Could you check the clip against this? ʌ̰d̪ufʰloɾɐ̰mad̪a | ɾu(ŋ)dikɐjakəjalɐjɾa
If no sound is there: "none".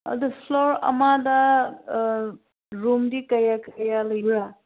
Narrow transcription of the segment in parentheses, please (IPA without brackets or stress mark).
m